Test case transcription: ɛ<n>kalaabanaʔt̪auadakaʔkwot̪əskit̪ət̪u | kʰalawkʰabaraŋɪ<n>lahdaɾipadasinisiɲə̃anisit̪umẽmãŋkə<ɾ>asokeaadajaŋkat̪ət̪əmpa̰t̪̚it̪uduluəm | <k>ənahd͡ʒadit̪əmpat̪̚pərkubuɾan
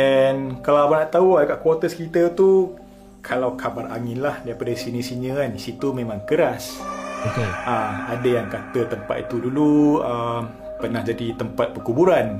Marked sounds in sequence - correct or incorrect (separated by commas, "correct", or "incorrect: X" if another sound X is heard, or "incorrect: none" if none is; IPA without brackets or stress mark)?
correct, correct, correct, incorrect: p